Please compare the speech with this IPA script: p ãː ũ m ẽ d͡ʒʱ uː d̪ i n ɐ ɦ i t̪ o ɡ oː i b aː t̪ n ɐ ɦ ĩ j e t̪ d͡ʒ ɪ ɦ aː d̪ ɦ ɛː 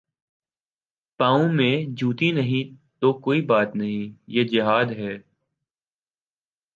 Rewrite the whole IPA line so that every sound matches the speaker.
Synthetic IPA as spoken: p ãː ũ m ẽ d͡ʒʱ uː t̪ i n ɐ ɦ ĩ t̪ o k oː i b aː t̪ n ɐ ɦ ĩ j e d͡ʒ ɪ ɦ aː d̪ ɦ ɛː

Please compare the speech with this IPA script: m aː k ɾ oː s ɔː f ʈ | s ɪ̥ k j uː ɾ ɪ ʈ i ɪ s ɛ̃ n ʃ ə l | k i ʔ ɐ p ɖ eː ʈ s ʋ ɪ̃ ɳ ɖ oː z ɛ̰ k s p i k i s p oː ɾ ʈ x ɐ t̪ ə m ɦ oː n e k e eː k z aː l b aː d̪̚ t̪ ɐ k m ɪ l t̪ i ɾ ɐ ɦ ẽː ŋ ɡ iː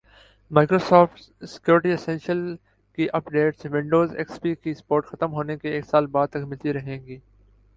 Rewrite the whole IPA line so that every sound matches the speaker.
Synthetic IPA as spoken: m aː k ɾ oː s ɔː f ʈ | s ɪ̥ k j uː ɾ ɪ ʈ i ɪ s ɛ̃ n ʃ ə l | k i ʔ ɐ p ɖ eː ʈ s ʋ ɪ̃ ɳ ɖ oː z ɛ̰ k s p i k i s p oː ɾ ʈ x ɐ t̪ ə m ɦ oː n e k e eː k s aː l b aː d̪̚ t̪ ɐ k m ɪ l t̪ i ɾ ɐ ɦ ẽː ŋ ɡ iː

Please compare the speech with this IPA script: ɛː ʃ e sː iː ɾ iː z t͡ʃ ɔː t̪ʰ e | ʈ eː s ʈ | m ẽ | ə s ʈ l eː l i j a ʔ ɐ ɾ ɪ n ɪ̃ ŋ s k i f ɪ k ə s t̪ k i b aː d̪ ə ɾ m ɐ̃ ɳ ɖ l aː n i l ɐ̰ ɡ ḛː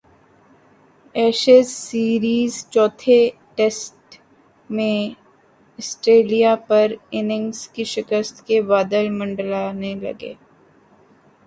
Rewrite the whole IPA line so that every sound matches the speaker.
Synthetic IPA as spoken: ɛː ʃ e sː iː ɾ iː z t͡ʃ ɔː t̪ʰ e | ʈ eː s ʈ | m ẽ | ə s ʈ ɾ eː l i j a p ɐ ɾ ɪ n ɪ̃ ŋ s k i ʃ ɪ k ə s t̪ k e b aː d̪ ə l m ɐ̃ ɳ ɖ l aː n e l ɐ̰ ɡ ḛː

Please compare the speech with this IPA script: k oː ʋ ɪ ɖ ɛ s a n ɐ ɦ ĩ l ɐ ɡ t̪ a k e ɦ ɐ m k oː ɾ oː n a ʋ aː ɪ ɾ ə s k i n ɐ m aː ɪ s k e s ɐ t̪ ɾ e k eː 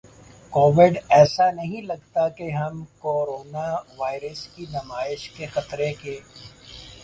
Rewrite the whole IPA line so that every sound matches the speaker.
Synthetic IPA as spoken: k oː ʋ ɪ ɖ ɛː s a n ɐ ɦ ĩ l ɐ ɡ t̪ a k e ɦ ɐ m k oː ɾ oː n a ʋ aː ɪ ɾ ə s k i n ɐ m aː ɪ ʃ k e x ɐ t̪ ɾ e k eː

